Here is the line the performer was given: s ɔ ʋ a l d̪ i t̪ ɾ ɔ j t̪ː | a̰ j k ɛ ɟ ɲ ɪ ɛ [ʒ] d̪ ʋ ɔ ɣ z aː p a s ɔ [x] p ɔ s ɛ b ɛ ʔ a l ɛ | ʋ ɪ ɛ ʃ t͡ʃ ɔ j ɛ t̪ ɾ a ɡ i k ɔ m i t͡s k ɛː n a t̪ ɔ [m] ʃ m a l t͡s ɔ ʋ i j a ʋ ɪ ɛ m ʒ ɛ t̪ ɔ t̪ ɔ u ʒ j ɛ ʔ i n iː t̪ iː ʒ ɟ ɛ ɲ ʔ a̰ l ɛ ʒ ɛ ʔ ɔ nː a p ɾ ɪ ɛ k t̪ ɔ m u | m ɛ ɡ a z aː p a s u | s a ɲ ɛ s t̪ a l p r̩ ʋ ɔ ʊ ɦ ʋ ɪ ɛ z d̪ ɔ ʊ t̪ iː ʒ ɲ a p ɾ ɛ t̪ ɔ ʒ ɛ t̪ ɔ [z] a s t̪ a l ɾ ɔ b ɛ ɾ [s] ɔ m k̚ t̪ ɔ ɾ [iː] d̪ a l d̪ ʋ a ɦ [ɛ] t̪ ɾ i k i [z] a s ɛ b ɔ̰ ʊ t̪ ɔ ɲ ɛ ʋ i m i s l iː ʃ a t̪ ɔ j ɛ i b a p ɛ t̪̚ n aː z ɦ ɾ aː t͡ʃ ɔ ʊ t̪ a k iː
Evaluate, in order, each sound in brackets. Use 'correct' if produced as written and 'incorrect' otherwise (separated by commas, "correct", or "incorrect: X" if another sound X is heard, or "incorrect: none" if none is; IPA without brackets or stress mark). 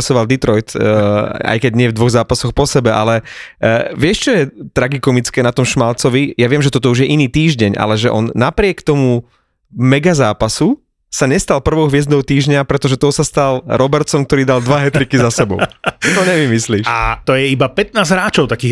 incorrect: v, correct, correct, incorrect: s, incorrect: t͡s, correct, correct, correct